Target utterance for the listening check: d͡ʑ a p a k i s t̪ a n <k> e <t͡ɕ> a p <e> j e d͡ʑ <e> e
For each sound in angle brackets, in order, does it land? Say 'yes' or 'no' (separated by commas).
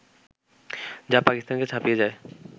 yes, no, no, no